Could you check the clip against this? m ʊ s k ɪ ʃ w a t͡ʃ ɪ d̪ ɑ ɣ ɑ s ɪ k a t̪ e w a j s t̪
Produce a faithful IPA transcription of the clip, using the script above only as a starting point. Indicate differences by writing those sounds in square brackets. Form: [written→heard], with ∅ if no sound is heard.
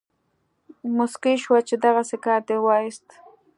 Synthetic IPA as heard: m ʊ s k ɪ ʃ w a t͡ʃ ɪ d̪ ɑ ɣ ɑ s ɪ k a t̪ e w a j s t̪